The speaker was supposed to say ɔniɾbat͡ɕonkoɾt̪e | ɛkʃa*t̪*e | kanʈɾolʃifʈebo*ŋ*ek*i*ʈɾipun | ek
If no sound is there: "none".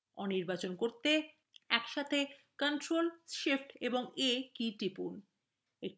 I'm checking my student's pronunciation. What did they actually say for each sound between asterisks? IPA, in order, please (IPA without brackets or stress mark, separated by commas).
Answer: t̪ʰ, ŋ, i